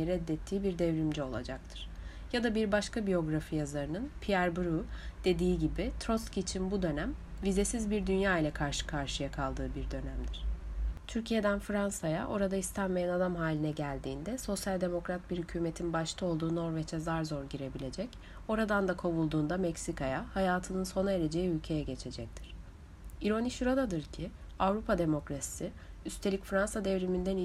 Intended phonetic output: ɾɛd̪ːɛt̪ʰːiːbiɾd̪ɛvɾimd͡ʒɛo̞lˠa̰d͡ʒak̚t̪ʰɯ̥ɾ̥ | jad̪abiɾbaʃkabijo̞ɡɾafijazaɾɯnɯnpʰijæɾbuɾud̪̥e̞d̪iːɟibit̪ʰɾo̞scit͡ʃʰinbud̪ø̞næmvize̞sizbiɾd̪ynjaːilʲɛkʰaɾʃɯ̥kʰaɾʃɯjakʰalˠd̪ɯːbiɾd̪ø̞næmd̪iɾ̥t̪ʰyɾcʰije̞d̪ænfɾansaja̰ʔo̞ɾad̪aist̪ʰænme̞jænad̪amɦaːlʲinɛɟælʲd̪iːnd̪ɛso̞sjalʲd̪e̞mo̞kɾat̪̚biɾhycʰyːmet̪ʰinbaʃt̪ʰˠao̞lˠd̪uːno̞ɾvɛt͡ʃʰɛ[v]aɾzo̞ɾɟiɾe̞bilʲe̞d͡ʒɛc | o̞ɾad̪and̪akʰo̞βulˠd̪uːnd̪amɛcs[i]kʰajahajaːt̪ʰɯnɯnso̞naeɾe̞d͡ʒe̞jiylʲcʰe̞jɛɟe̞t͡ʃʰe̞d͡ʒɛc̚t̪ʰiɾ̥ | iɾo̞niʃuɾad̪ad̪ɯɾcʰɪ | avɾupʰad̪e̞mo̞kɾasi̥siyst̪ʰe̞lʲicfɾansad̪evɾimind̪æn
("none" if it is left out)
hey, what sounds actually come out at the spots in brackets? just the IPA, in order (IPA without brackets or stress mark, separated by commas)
z, i